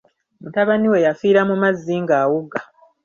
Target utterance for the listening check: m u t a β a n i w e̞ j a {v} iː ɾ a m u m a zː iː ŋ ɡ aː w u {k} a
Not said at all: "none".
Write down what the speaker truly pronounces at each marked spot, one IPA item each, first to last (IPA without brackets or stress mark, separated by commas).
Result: f, ɡ